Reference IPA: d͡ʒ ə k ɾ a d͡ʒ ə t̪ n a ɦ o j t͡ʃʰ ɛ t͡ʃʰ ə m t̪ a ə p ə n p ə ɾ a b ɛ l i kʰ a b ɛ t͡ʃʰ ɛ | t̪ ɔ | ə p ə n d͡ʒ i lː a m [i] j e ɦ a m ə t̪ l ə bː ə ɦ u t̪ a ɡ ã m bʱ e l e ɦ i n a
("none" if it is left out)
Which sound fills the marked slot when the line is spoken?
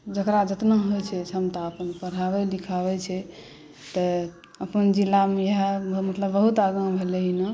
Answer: e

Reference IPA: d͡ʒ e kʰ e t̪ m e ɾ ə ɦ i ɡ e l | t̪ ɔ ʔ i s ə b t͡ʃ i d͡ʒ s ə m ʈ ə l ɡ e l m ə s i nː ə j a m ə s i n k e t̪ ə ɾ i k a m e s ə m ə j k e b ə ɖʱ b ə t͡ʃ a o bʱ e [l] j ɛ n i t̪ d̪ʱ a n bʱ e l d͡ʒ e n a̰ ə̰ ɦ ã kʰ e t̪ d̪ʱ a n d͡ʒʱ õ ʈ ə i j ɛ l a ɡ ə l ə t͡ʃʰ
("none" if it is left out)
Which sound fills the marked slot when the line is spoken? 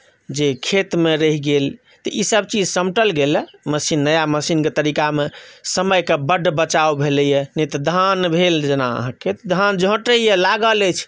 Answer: l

